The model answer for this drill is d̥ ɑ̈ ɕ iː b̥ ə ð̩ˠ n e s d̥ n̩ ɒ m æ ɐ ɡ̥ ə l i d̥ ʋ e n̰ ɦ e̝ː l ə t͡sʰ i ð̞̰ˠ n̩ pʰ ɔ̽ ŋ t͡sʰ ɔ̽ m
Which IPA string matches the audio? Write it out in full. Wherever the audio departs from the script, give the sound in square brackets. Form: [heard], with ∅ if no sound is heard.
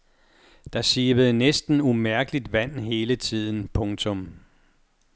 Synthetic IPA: d̥ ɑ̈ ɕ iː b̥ ə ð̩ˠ n e s d̥ n̩ [u] m æ ɐ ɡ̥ ə l i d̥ ʋ [æ] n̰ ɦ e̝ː l ə t͡sʰ i ð̞̰ˠ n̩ pʰ ɔ̽ ŋ t͡sʰ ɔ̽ m